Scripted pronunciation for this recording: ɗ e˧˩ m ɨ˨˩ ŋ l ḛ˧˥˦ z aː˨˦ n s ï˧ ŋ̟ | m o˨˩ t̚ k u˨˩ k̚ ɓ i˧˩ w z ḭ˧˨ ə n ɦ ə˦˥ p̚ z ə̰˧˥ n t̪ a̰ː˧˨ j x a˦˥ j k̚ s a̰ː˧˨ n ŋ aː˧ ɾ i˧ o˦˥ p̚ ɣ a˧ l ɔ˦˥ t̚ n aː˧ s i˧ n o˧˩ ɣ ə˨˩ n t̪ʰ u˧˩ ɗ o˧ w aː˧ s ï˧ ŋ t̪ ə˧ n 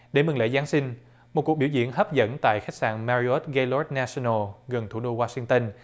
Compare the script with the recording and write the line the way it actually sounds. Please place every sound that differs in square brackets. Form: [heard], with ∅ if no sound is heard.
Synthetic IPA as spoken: ɗ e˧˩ m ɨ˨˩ ŋ l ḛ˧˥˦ z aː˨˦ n s ï˧ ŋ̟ | m o˨˩ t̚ k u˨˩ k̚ ɓ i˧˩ w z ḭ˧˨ ə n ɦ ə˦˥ p̚ z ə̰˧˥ n t̪ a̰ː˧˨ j x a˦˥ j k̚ s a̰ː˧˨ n [m] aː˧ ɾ i˧ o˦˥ [t̚] ɣ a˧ l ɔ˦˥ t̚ n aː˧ s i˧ n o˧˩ ɣ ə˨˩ n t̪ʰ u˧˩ ɗ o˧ w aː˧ s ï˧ ŋ t̪ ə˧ n